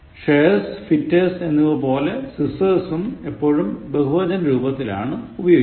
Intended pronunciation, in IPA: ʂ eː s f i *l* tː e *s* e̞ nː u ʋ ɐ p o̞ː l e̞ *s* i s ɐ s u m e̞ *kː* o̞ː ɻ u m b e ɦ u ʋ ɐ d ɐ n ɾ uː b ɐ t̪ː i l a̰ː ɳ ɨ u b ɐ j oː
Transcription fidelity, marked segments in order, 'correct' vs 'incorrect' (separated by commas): incorrect, correct, correct, incorrect